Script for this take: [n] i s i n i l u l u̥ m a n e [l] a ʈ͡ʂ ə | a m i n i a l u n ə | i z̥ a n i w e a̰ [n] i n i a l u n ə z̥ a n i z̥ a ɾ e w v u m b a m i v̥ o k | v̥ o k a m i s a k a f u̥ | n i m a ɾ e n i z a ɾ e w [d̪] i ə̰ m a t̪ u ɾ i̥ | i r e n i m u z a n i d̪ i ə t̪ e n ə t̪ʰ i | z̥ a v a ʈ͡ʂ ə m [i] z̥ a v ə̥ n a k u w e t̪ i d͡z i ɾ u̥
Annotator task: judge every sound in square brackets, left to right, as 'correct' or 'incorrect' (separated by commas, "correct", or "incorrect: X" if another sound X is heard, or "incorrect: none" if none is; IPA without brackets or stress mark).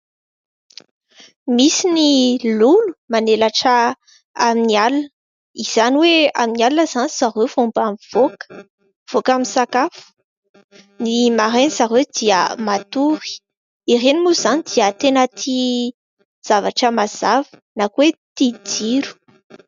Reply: incorrect: m, correct, incorrect: m, correct, incorrect: a